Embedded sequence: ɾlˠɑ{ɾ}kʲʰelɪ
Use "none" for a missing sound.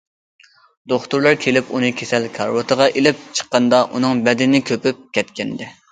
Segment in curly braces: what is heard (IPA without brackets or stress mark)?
ɾ